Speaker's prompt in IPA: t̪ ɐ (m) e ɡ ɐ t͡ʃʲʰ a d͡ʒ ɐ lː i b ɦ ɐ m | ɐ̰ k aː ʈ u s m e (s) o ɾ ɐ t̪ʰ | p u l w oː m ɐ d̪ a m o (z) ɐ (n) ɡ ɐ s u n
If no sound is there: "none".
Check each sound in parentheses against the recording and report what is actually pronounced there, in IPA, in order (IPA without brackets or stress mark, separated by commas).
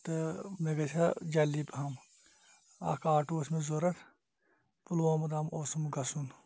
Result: m, z, s, m